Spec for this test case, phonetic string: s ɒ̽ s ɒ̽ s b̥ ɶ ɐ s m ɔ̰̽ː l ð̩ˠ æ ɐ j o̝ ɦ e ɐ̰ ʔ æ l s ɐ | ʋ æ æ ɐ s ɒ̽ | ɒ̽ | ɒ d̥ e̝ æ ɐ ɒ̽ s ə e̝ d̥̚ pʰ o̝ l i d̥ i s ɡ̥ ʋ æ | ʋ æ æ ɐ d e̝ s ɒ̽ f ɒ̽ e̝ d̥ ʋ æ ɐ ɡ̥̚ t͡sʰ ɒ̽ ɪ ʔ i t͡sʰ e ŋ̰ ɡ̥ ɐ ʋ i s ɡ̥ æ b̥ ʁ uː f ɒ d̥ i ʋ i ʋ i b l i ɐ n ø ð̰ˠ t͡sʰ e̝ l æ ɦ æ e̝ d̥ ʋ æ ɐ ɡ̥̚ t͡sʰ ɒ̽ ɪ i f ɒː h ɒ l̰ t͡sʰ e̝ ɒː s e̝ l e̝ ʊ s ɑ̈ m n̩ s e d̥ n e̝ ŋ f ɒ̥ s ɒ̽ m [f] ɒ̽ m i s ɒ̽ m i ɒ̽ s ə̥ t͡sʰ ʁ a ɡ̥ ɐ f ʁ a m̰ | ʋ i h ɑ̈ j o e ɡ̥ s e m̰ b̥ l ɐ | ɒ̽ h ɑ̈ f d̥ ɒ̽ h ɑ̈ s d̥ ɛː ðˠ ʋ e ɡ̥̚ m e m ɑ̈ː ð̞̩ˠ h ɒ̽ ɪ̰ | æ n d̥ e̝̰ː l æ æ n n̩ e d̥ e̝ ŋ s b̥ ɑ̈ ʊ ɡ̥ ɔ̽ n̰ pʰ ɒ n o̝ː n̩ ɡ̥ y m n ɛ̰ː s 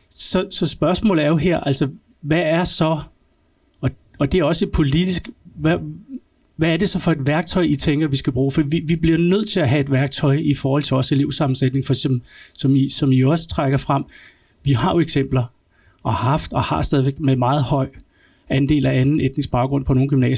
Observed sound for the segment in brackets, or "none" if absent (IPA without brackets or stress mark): s